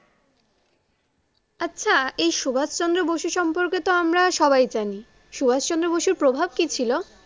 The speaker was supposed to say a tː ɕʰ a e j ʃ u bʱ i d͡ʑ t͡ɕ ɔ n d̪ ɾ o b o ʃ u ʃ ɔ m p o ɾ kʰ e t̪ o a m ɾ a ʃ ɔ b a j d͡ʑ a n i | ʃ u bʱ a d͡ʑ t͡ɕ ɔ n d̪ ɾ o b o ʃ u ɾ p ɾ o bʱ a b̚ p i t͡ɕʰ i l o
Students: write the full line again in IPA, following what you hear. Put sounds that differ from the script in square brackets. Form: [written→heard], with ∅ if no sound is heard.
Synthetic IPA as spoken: a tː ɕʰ a e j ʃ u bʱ [i→a] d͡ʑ t͡ɕ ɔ n d̪ ɾ o b o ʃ u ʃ ɔ m p o ɾ [kʰ→k] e t̪ o a m ɾ a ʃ ɔ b a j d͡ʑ a n i | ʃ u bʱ a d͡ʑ t͡ɕ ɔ n d̪ ɾ o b o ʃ u ɾ p ɾ o bʱ a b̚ [p→k] i t͡ɕʰ i l o